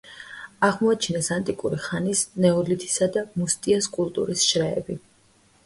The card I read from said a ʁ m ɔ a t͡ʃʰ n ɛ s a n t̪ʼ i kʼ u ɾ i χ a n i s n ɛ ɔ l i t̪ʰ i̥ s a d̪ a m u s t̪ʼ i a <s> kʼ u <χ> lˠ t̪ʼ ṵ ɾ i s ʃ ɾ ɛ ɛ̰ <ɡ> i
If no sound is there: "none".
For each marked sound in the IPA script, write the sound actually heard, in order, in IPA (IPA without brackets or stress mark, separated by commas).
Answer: s, none, b